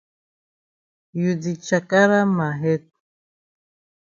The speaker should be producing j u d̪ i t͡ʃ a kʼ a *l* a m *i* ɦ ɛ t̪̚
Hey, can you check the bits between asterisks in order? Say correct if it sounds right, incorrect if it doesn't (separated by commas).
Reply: incorrect, incorrect